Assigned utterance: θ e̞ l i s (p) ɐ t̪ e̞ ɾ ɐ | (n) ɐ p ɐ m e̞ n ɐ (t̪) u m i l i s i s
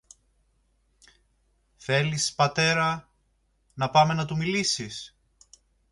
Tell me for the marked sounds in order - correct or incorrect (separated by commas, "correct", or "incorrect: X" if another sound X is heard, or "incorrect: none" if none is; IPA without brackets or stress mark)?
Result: correct, correct, correct